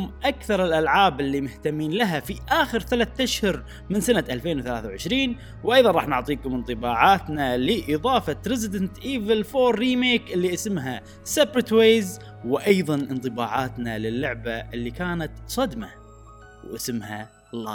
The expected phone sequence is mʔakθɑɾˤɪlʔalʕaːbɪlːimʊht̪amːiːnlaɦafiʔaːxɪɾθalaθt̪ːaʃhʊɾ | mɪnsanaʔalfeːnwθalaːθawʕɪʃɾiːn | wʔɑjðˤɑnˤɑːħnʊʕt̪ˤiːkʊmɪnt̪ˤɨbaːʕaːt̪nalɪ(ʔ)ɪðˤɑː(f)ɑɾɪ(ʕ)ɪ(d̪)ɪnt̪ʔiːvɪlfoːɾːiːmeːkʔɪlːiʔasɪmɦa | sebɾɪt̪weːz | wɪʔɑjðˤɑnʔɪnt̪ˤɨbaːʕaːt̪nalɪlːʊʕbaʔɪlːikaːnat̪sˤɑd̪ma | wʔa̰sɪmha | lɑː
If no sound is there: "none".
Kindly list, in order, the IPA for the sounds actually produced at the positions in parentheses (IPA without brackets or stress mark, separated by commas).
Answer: ʔ, f, z, d̪